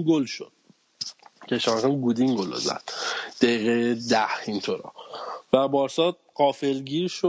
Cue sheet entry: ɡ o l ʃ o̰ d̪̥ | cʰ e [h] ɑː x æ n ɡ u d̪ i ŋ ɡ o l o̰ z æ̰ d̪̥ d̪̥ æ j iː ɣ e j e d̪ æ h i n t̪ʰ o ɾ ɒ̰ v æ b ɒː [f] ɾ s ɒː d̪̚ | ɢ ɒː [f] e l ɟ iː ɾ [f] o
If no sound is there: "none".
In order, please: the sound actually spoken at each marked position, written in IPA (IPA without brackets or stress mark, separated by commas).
ʃ, none, f, ʃ